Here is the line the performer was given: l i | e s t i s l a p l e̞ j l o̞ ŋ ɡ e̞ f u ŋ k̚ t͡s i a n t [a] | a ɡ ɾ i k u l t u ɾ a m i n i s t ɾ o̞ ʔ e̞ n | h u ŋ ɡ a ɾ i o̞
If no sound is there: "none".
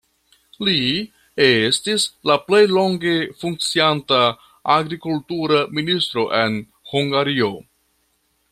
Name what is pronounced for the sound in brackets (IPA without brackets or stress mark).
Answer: a